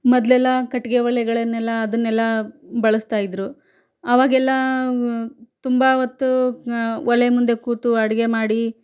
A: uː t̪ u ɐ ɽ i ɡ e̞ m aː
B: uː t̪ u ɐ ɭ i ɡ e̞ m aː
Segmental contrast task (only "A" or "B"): A